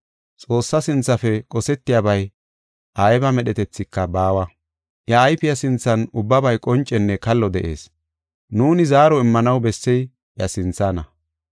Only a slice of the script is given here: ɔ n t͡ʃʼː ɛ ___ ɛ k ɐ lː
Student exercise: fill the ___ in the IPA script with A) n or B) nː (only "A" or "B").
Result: B